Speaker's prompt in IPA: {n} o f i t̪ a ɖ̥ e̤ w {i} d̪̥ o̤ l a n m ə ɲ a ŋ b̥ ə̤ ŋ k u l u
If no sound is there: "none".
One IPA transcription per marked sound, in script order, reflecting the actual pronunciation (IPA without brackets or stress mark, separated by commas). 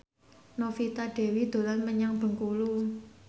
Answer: n, i